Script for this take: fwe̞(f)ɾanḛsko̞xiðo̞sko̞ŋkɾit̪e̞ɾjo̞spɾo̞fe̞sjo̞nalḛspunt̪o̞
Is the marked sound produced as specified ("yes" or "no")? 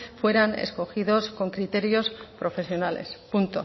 no